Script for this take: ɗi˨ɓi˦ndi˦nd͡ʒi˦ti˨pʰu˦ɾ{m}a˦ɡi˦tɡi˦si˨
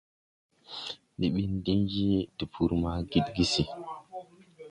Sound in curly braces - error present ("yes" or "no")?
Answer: no